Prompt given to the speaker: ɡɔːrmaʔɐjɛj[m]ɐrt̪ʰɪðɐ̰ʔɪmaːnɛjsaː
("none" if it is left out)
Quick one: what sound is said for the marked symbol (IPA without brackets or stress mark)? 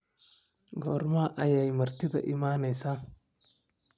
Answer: m